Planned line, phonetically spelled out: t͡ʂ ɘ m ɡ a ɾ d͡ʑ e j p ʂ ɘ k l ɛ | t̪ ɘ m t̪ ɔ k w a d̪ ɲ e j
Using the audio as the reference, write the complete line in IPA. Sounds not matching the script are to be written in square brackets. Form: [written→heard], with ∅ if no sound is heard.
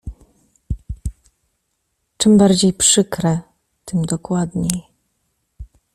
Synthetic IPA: t͡ʂ ɘ m [ɡ→b] a ɾ d͡ʑ e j p ʂ ɘ k [l→ɾ] ɛ | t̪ ɘ m [t̪→d̪] ɔ k w a d̪ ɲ e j